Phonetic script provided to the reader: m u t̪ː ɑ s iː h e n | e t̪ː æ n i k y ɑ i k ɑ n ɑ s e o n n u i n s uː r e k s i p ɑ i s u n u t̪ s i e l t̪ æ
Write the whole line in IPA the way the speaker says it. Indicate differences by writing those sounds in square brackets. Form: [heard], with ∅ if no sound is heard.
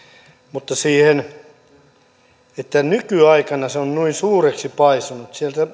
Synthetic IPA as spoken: m u t̪ː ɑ s iː h e n | e t̪ː æ n [y] k y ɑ i k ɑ n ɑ s e o n n u i n s uː r e k s i p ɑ i s u n u t̪ s i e l t̪ æ